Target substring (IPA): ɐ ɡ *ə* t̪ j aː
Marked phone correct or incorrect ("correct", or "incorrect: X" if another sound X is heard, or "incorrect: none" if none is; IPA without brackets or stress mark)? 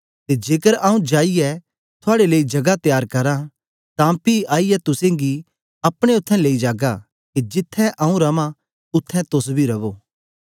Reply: incorrect: a